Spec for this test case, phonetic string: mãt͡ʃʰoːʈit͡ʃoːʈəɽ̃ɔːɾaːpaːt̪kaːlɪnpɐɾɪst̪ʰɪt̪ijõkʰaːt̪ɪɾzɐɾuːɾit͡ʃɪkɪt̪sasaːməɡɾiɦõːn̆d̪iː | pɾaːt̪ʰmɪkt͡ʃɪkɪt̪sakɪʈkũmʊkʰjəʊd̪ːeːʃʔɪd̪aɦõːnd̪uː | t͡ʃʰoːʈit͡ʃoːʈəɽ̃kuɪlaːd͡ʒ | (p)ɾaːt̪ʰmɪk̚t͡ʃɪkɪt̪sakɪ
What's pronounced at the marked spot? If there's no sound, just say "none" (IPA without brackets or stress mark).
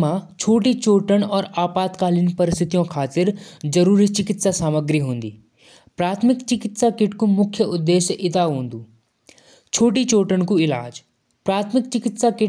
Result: p